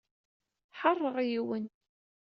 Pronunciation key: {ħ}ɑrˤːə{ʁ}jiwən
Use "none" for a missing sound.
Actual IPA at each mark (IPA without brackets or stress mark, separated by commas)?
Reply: ħ, ʁ